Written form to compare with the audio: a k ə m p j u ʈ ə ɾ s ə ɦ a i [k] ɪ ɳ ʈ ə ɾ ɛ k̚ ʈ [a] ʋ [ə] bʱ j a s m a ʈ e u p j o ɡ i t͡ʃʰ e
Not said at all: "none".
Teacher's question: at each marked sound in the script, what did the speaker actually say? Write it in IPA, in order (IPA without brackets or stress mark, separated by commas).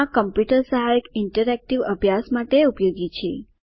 k, i, ə